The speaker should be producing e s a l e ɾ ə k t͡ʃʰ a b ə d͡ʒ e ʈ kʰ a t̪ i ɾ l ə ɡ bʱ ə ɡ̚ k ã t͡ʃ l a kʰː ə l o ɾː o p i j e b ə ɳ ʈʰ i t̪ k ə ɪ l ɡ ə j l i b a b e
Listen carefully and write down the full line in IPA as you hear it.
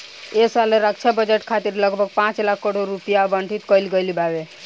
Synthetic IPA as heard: e s a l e ɾ ə k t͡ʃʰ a b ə d͡ʒ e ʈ kʰ a t̪ i ɾ l ə ɡ bʱ ə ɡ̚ p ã t͡ʃ l a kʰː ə ɽ o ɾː u p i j a b ə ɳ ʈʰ i t̪ k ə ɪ l ɡ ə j l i b a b e